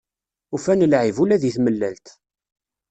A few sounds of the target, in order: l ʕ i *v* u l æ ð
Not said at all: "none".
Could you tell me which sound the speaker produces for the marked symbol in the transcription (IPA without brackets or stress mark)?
v